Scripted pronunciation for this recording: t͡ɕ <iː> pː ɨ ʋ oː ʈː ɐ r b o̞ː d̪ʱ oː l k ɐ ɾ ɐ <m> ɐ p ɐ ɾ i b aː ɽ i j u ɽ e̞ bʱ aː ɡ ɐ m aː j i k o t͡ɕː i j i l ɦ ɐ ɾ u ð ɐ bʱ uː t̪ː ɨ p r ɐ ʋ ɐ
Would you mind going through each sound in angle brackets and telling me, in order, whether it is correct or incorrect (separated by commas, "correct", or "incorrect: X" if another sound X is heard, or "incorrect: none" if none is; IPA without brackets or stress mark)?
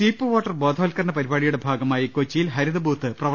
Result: correct, incorrect: ɳ